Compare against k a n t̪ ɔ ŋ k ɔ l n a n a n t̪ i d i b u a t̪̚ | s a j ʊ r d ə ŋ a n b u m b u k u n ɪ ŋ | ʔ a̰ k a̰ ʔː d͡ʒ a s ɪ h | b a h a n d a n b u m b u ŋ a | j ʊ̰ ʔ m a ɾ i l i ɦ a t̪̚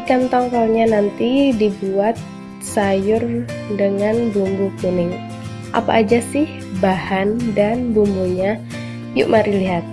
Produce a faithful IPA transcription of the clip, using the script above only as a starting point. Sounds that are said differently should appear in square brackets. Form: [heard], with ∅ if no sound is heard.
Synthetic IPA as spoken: k a n t̪ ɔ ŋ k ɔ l [ɲ] a n a n t̪ i d i b u a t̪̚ | s a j ʊ r d ə ŋ a n b u m b u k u n ɪ ŋ | ʔ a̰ [p] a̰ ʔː d͡ʒ a s ɪ h | b a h a n d a n b u m b u [ɲ] a | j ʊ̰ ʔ m a ɾ i l i ɦ a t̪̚

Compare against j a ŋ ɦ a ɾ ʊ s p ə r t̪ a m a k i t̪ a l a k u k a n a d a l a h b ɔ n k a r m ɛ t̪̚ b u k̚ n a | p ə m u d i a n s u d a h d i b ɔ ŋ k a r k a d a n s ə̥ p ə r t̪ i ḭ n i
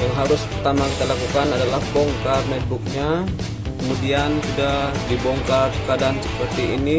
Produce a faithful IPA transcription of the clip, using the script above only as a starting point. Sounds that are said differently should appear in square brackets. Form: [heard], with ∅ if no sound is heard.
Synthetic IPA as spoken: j a ŋ ɦ a ɾ ʊ s p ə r t̪ a m a k i t̪ a l a k u k a n a d a l a h b ɔ [ŋ] k a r m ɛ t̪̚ b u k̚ [ɲ] a | [k] ə m u d i a n s u d a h d i b ɔ ŋ k a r k a d a n s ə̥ p ə r t̪ i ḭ n i

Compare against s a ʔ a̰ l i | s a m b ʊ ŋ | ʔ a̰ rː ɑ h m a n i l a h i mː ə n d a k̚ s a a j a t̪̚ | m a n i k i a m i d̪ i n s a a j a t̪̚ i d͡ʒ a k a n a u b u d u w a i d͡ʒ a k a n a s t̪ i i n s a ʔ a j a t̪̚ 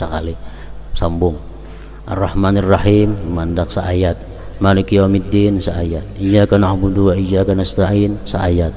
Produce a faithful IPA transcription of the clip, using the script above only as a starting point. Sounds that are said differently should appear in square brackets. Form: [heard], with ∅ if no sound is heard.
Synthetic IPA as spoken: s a [k] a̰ l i | s a m b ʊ ŋ | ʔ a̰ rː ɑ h m a n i [r] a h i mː [a] n d a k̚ s a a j a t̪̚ | m a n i k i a m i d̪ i n s a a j a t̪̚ i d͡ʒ a k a n a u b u d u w a i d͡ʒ a k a n a s t̪ [a] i n s a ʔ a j a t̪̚

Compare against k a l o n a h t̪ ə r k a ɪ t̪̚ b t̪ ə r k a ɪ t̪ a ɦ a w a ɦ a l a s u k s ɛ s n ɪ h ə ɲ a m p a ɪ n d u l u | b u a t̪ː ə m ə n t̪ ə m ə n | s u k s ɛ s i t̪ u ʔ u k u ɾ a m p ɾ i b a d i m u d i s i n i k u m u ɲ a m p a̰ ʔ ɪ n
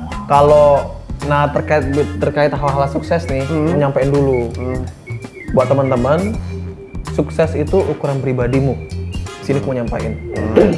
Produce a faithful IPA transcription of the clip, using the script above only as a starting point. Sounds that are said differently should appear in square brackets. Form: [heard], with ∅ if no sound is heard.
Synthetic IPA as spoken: k a l o n a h t̪ ə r k a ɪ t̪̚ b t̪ ə r k a ɪ t̪ a ɦ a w a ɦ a l a s u k s ɛ s n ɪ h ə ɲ a m p a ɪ n d u l u | b u a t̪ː ə m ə n t̪ ə m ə n | s u k s ɛ s i t̪ u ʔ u k u ɾ a [n] p ɾ i b a d i m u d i s i n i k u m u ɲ a m p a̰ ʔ ɪ n

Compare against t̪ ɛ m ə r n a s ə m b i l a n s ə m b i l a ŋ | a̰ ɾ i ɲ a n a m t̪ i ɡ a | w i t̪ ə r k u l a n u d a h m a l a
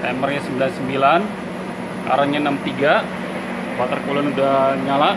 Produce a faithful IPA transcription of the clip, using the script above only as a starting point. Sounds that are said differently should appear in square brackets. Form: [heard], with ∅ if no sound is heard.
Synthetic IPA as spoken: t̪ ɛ m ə r [ɲ] a s ə m b i l a n s ə m b i l a [n] | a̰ ɾ [a] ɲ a n a m t̪ i ɡ a | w [a] t̪ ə r k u l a n u d a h [ɲ] a l a

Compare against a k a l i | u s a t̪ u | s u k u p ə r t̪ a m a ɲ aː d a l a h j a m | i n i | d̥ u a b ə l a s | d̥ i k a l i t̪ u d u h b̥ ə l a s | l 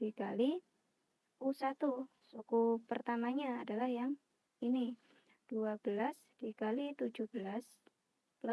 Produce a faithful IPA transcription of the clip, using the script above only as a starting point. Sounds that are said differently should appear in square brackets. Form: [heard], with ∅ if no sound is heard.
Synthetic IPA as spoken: [i] k a l i | u s a t̪ u | s u k u p ə r t̪ a m a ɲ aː d a l a h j a [ŋ] | i n i | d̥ u a b ə l a s | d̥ i k a l i t̪ u [d͡ʒ] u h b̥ ə l a s | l

